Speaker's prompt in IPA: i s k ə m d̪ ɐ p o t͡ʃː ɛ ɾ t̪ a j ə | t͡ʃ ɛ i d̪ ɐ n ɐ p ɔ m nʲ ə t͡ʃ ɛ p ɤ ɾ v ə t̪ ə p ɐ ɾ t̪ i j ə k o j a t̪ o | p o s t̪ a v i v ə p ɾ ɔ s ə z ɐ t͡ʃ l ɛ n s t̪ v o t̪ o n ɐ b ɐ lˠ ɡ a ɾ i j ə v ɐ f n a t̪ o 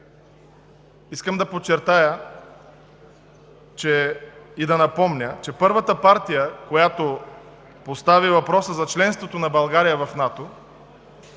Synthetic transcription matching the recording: i s k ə m d̪ ɐ p o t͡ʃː ɛ ɾ t̪ a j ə | t͡ʃ ɛ i d̪ ɐ n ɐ p ɔ m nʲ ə t͡ʃ ɛ p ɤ ɾ v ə t̪ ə p a ɾ t̪ i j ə k o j a t̪ o | p o s t̪ a v i v ɐ p ɾ ɔ s ə z ɐ t͡ʃ l ɛ n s t̪ v o t̪ o n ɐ b ɐ lˠ ɡ a ɾ i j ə v ɐ f n a t̪ o

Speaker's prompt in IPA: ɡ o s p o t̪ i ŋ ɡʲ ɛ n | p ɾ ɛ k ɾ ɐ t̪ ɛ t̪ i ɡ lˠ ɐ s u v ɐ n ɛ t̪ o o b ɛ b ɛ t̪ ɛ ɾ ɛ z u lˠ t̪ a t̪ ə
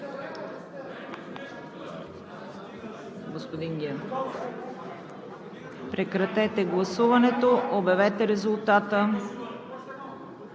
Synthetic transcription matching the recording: ɡ o s p o d̪ i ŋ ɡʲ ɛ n | p ɾ ɛ k ɾ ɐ t̪ ɛ t̪ ɛ ɡ lˠ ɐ s u v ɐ n ɛ t̪ o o b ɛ v ɛ t̪ ɛ ɾ ɛ z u lˠ t̪ a t̪ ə

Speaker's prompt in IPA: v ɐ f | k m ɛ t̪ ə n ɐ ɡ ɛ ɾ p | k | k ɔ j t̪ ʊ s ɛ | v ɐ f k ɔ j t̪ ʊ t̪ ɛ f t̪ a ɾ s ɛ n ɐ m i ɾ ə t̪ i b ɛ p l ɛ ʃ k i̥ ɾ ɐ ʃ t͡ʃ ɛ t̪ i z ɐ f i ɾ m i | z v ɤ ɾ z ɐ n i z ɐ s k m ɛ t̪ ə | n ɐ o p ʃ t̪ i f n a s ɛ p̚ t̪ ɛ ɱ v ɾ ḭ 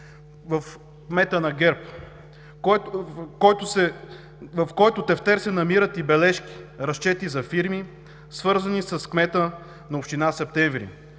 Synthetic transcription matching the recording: v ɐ f | k m ɛ t̪ ə n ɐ ɡ ɛ ɾ p | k | k ɔ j t̪ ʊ s ɛ | v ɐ f k ɔ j t̪ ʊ t̪ ɛ f t̪ ɛ ɾ s ɛ n ɐ m i ɾ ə t̪ i b ɛ l ɛ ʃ k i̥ ɾ ɐ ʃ t͡ʃ ɛ t̪ i z ɐ f i ɾ m i | s v ɤ ɾ z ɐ n i s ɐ s k m ɛ t̪ ə | n ɐ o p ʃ t̪ i n a s ɛ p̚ t̪ ɛ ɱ v ɾ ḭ

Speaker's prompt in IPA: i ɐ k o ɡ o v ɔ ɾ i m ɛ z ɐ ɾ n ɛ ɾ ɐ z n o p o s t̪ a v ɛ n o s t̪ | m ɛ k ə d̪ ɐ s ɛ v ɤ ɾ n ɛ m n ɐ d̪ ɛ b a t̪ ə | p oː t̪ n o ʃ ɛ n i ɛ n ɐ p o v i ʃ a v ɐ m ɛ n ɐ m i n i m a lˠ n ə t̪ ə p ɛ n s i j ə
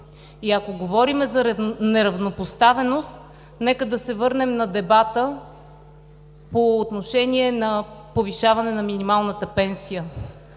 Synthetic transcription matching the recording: i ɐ k o ɡ o v ɔ ɾ i m ɛ z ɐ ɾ n ɛ ɾ ɐ v n o p o s t̪ a v ɛ n o s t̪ | n ɛ k ə d̪ ɐ s ɛ v ɤ ɾ n ɛ m n ɐ d̪ ɛ b a t̪ ə | p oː t̪ n o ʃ ɛ n i ɛ n ɐ p o v i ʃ a v ɐ n ɛ n ɐ m i n i m a lˠ n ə t̪ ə p ɛ n s i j ə

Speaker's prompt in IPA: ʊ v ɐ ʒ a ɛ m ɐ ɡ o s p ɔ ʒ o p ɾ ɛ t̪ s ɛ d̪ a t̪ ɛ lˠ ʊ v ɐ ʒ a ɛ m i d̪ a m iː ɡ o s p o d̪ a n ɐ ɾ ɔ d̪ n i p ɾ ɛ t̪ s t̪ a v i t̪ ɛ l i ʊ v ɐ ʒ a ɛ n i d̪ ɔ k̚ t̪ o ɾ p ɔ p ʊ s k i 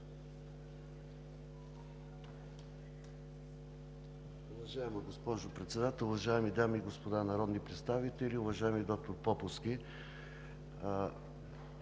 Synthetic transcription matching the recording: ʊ v ɐ ʒ a ɛ m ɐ ɡ o s p ɔ ʒ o p ɾ ɛ t̪ s ɛ d̪ a t̪ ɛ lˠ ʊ v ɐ ʒ a ɛ m i d̪ a m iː ɡ o s p o d̪ a n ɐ ɾ ɔ d̪ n i p ɾ ɛ t̪ s t̪ a v i t̪ ɛ l i ʊ v ɐ ʒ a ɛ m i d̪ ɔ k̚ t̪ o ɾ p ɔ p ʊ s k i

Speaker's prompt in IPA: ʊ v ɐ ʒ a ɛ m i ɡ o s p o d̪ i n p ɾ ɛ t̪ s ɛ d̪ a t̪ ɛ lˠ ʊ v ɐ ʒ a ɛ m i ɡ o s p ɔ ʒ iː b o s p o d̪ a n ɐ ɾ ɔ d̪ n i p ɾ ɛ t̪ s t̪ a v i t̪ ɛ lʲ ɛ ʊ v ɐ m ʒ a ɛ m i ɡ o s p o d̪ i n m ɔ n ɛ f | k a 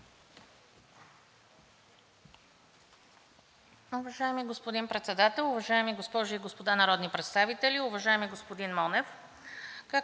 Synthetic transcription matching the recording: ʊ v ɐ ʒ a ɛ m i ɡ o s p o d̪ i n p ɾ ɛ t̪ s ɛ d̪ a t̪ ɛ lˠ ʊ v ɐ ʒ a ɛ m i ɡ o s p ɔ ʒ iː ɡ o s p o d̪ a n ɐ ɾ ɔ d̪ n i p ɾ ɛ t̪ s t̪ a v i t̪ ɛ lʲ i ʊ v ɐ ʒ a ɛ m i ɡ o s p o d̪ i n m ɔ n ɛ f | k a

